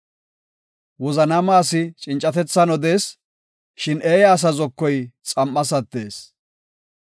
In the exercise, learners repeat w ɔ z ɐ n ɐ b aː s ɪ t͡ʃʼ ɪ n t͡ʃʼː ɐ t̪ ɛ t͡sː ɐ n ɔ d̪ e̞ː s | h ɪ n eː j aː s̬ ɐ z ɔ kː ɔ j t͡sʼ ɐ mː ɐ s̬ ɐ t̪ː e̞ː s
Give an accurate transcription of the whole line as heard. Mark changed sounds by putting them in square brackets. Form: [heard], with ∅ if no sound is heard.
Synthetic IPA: w ɔ z ɐ n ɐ [m] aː s ɪ t͡ʃʼ ɪ n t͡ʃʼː ɐ t̪ ɛ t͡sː ɐ n ɔ d̪ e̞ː s | [ʃ] ɪ n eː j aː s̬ ɐ z ɔ kː ɔ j t͡sʼ ɐ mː ɐ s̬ ɐ t̪ː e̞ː s